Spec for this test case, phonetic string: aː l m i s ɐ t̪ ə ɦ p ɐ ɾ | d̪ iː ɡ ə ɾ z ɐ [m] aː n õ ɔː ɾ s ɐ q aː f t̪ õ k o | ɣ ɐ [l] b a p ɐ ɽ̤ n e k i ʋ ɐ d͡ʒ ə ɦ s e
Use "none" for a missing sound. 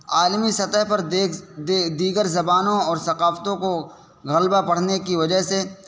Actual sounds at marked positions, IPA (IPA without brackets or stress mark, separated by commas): b, l